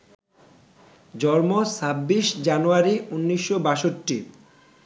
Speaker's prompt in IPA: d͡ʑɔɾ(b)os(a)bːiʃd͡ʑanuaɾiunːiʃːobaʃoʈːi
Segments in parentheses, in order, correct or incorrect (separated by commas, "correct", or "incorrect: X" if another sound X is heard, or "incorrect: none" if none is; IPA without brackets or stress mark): incorrect: m, correct